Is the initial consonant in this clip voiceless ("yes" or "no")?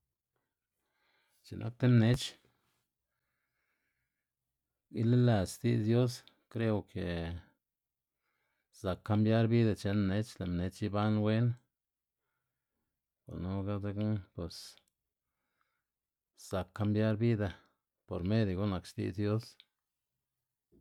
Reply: yes